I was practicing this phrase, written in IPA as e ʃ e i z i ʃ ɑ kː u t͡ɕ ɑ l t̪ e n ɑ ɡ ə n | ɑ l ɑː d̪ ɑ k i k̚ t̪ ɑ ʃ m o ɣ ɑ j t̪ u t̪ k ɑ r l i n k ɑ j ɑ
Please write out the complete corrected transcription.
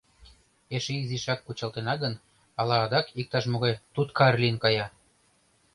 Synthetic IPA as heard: e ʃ e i z i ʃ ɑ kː u t͡ɕ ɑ l t̪ e n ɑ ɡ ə n | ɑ l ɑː d̪ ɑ k i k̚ t̪ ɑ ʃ m o ɣ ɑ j t̪ u t̪ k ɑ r l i n k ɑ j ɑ